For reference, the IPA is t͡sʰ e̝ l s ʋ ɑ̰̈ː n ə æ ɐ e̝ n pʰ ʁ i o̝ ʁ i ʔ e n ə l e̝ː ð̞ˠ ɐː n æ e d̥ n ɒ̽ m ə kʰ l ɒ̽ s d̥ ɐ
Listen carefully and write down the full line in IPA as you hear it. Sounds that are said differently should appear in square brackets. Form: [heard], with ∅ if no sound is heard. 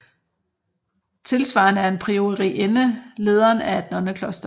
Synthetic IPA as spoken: t͡sʰ e̝ l s ʋ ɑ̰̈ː n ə æ ɐ e̝ n pʰ ʁ i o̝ ʁ i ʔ e n ə l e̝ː ð̞ˠ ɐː n æ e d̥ n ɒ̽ [n] ə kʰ l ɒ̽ s d̥ ɐ